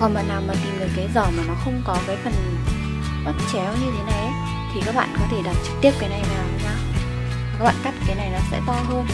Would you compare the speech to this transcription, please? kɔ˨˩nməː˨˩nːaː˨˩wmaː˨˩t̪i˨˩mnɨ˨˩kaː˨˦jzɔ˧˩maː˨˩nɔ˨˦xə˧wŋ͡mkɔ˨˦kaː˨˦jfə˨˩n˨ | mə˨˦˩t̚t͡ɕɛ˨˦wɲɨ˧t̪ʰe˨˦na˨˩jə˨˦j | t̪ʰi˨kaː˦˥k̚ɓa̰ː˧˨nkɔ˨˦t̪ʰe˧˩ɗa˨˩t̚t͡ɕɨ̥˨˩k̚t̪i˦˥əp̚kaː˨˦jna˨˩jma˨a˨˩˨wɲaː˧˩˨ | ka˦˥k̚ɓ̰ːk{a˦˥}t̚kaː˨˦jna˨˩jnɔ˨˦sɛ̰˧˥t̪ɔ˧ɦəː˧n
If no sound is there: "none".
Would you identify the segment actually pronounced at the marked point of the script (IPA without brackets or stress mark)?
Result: a˦˥